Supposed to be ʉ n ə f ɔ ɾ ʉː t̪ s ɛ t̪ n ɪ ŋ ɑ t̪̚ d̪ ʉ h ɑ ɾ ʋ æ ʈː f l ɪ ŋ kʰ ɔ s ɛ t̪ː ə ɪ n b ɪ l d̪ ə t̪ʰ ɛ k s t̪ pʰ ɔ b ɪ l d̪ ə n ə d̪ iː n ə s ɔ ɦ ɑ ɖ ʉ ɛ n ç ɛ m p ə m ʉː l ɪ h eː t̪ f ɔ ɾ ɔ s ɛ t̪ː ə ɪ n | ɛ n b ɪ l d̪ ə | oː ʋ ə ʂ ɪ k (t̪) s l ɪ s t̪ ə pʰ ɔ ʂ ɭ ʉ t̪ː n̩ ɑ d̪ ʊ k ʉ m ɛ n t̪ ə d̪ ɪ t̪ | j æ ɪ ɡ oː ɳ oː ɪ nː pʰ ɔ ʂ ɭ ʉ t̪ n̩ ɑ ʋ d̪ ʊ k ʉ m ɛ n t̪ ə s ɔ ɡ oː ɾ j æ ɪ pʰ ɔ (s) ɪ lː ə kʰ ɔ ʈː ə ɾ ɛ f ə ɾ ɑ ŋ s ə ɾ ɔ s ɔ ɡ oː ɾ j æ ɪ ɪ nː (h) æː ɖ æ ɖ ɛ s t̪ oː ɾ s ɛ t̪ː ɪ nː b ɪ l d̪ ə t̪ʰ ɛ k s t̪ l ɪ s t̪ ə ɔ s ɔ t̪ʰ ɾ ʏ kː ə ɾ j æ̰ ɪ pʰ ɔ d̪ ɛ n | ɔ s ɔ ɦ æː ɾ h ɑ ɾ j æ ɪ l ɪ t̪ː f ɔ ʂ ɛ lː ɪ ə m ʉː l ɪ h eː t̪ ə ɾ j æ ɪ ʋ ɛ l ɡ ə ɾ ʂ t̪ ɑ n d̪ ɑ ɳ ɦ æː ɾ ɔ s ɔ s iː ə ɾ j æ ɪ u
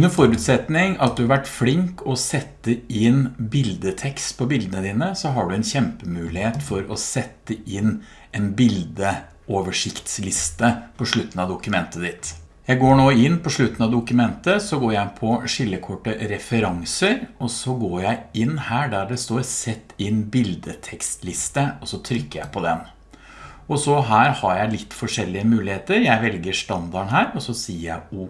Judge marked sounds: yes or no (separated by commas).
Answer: yes, no, yes